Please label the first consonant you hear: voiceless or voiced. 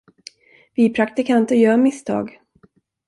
voiced